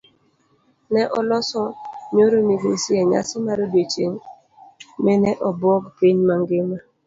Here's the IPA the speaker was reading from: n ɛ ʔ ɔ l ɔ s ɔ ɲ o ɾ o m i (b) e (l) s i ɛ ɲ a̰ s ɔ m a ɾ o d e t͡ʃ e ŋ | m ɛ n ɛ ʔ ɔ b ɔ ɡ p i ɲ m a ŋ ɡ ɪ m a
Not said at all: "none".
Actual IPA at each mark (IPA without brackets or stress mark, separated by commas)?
ɡ, none